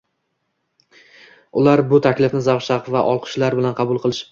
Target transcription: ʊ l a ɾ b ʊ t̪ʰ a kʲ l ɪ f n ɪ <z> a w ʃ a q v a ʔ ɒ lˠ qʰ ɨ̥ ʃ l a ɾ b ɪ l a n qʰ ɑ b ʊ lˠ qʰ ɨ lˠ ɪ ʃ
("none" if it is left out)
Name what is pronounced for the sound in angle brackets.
z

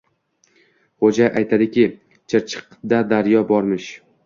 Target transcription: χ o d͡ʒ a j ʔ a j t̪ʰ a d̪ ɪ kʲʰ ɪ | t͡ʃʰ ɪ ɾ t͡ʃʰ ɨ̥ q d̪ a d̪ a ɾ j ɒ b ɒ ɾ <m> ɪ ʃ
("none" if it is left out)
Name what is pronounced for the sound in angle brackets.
m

